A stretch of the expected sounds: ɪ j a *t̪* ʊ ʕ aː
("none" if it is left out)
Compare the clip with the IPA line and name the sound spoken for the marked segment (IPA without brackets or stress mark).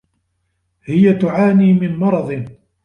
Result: t̪